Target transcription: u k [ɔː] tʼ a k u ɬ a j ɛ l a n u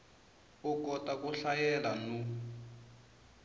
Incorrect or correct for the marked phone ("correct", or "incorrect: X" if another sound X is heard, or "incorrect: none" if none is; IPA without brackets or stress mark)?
incorrect: ɔ